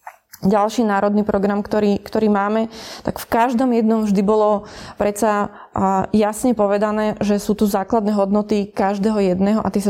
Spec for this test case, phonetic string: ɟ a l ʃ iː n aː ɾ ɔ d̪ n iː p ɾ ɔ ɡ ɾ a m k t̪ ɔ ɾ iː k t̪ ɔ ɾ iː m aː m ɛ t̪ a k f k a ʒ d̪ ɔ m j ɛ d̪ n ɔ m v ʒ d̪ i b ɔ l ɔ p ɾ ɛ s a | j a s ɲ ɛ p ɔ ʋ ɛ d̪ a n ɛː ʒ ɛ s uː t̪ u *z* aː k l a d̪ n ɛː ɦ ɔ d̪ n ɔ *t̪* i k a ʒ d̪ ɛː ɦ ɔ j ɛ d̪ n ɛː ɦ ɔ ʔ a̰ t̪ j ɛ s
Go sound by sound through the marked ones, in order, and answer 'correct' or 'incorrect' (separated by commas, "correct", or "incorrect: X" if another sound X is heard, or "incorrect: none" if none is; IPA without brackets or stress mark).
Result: correct, correct